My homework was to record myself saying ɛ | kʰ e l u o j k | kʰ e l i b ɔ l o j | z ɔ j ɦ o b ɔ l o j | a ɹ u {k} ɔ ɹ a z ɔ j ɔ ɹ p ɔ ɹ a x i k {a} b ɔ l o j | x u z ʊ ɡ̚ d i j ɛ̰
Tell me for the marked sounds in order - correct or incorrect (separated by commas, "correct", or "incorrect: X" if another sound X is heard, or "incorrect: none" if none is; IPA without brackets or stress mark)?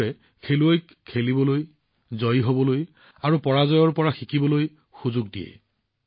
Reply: incorrect: p, incorrect: i